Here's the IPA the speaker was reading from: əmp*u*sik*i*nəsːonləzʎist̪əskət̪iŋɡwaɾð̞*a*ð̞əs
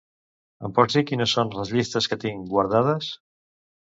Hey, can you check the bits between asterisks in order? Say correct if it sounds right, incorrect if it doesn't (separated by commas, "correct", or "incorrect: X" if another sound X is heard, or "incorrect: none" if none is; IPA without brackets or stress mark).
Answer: incorrect: ɔ, correct, correct